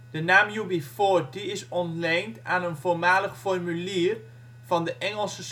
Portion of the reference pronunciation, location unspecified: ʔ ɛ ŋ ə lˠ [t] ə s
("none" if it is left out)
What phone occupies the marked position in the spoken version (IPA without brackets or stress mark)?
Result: s